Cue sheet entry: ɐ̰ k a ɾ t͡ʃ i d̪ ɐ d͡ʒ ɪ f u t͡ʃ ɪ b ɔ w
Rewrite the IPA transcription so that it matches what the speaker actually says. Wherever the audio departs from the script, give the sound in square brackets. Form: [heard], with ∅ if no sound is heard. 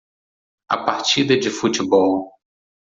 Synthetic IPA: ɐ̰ [p] a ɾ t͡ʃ i d̪ ɐ d͡ʒ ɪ f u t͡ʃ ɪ b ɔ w